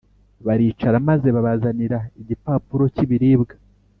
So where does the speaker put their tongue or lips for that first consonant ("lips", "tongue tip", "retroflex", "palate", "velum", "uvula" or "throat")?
lips